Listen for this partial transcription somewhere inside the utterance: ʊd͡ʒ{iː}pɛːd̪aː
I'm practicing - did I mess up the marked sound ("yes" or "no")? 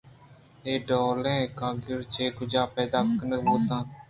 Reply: yes